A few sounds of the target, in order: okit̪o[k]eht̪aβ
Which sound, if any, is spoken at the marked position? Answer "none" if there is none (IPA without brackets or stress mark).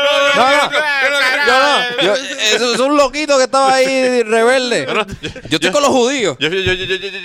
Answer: k